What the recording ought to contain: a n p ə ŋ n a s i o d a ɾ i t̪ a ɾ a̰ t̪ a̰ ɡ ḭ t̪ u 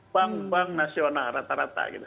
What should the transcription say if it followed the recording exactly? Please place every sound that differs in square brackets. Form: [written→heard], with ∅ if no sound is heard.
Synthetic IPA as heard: a [n→ŋ] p [ə→a] ŋ n a s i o [d→n] a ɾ [i→a] t̪ a ɾ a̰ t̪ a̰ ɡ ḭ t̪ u